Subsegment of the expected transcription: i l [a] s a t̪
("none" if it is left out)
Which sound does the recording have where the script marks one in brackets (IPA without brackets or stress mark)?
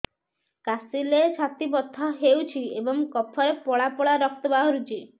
e